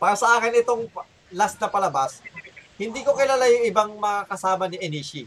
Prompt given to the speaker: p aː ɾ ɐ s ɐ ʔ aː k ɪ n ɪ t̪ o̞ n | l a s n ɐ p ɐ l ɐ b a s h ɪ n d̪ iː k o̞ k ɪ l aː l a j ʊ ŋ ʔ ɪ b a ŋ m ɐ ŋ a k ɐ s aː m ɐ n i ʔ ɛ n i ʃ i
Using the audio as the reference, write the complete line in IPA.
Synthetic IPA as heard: p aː ɾ ɐ s ɐ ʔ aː k ɪ n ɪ t̪ o̞ ŋ | l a s n ɐ p ɐ l ɐ b a s h ɪ n d̪ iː k o̞ k ɪ l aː l a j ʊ ŋ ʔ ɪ b a ŋ m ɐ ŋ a k ɐ s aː m ɐ n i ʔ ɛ n i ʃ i